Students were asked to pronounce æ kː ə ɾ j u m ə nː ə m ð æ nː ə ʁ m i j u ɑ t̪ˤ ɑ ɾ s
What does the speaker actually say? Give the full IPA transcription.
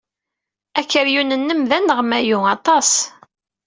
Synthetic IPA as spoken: æ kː ə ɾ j u n ə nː ə m ð æ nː ə ʁ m æ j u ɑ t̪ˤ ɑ s